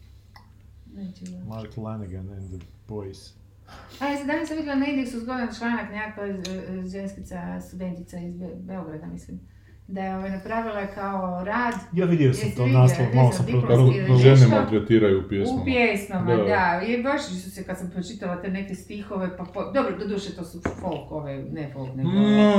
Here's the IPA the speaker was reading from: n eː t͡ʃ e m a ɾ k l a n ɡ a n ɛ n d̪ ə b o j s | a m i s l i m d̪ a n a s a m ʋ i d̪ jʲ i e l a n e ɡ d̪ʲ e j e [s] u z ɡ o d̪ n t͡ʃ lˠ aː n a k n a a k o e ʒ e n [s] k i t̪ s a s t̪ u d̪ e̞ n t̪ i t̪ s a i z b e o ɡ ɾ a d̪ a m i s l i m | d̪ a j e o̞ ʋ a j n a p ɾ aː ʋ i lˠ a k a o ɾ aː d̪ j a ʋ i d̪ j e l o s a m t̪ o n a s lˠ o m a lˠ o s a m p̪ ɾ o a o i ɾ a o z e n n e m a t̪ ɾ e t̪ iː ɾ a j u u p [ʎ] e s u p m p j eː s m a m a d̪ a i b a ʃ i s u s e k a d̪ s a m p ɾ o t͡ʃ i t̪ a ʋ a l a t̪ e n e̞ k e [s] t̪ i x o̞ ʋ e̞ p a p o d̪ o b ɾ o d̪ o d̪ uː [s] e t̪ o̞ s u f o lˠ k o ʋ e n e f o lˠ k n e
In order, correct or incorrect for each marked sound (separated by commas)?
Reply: correct, correct, incorrect, correct, incorrect